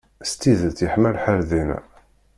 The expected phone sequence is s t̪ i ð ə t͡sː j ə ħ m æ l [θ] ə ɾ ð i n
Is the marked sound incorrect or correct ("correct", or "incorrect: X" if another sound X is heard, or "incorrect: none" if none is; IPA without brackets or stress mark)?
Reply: incorrect: ħ